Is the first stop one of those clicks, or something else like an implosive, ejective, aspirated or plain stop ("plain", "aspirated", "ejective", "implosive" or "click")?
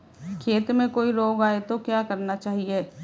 aspirated